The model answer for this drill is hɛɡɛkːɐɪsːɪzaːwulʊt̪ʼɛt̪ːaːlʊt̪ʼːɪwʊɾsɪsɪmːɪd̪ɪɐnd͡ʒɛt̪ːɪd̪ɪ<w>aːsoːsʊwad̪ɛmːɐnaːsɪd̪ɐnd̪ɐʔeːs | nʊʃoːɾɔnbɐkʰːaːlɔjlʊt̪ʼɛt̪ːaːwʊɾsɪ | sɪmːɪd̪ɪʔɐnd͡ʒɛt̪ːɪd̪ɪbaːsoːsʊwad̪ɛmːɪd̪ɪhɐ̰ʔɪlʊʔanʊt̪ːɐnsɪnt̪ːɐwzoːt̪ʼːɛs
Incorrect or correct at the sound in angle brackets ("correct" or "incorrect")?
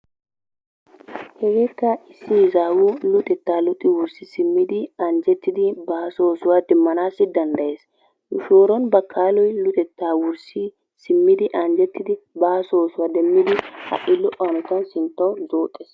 incorrect